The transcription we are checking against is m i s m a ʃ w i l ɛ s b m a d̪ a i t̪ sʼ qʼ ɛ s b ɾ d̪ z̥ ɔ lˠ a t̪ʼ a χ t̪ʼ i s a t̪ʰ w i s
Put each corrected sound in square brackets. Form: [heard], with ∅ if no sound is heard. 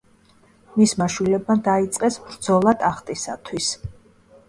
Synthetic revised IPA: m i s m a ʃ w i l ɛ [∅] b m a d̪ a i t̪ sʼ qʼ ɛ s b ɾ d̪ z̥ ɔ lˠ a t̪ʼ a χ t̪ʼ i s a t̪ʰ w i s